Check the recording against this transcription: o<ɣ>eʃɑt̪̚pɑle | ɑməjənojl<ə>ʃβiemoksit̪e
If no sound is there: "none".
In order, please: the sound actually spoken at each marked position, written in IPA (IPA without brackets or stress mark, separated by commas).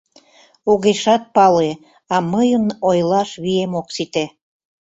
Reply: ɣ, ɑ